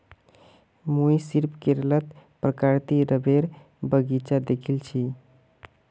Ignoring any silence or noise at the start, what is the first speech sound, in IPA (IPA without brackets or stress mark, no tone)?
m